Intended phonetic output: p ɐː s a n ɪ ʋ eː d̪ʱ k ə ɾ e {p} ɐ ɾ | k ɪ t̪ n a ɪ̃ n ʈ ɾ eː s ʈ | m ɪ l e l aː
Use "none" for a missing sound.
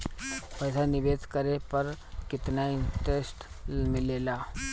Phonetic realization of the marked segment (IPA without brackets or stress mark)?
p